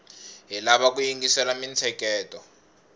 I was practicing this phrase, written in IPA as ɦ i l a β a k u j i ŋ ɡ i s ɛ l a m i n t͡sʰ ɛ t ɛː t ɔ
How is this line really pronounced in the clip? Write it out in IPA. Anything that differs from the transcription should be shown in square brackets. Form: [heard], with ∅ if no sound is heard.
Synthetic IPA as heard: ɦ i l a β a k u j i ŋ ɡ i s ɛ l a m i n t͡sʰ ɛ [k] ɛː t ɔ